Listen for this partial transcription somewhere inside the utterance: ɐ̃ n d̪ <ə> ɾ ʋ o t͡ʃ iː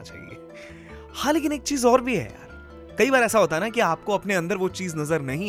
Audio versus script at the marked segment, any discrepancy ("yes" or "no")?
no